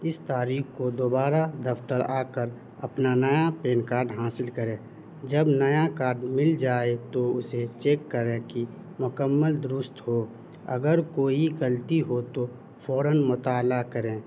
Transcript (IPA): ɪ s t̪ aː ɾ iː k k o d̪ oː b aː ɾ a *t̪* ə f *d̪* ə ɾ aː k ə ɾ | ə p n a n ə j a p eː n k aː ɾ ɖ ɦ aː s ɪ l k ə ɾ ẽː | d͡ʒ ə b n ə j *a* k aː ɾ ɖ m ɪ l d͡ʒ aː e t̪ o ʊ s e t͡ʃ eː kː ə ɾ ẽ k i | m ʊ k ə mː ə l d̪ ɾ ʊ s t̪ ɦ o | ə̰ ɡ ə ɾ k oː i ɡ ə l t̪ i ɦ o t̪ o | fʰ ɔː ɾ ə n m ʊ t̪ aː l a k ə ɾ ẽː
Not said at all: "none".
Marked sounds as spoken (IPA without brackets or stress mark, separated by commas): d̪, t̪, a